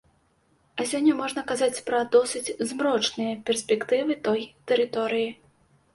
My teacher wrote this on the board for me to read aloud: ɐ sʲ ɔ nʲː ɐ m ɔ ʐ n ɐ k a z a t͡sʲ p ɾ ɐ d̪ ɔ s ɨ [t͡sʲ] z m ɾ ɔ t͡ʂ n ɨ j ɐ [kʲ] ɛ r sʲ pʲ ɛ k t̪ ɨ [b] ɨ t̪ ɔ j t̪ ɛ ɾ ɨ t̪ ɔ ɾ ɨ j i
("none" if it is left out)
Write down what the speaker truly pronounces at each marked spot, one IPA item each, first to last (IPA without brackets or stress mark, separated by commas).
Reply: t͡sʲ, pʲ, v